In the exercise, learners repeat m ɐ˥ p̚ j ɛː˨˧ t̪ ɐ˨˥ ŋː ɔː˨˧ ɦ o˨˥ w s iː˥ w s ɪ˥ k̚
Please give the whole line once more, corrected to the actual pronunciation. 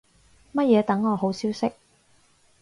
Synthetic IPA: m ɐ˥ t̚ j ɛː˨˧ t̪ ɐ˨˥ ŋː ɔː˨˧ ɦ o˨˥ w s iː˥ w s ɪ˥ k̚